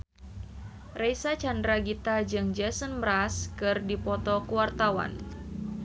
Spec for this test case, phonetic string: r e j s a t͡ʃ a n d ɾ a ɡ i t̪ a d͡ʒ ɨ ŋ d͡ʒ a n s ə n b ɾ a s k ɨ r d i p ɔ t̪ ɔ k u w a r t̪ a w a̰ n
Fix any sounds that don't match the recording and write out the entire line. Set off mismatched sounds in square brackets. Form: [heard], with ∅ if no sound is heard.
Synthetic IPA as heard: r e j s a t͡ʃ a n d ɾ a ɡ i t̪ a d͡ʒ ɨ ŋ d͡ʒ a [∅] s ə n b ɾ a s k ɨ r d i p ɔ t̪ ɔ k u w a r t̪ a w a̰ n